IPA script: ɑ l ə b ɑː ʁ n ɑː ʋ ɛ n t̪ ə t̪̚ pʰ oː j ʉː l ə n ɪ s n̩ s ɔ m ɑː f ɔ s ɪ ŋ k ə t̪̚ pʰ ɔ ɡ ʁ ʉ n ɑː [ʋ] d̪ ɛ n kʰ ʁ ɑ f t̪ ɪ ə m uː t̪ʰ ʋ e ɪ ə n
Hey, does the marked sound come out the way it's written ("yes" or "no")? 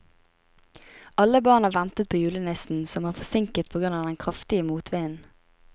no